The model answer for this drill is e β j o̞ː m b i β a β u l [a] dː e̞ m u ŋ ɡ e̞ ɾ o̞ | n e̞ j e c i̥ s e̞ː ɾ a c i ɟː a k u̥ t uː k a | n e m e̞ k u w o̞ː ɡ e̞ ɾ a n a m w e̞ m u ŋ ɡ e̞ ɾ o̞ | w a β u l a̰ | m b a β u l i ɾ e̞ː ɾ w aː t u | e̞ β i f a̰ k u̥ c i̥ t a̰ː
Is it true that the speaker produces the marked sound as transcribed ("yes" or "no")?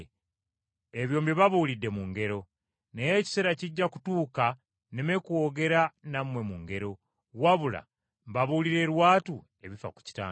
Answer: no